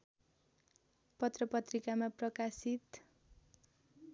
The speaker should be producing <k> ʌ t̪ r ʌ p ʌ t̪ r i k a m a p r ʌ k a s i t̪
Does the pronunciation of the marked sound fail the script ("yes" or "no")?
yes